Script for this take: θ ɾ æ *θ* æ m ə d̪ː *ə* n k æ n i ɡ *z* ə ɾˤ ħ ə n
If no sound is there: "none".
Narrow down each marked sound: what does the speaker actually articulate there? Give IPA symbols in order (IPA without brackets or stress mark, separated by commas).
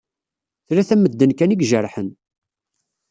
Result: θ, ə, ʒ